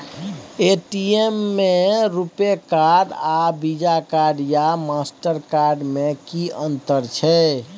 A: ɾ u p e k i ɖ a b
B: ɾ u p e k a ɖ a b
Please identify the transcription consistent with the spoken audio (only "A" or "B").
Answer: B